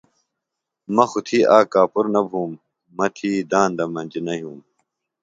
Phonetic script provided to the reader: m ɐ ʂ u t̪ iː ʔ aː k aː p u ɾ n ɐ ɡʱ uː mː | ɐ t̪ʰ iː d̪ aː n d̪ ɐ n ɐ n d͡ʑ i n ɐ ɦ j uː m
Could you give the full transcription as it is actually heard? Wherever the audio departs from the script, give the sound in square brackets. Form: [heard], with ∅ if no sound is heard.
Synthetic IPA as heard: m ɐ [x] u [t̪ʰ] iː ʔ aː k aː p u ɾ n ɐ [bʱ] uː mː | ɐ t̪ʰ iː d̪ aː n d̪ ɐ [m] ɐ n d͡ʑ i n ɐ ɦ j uː m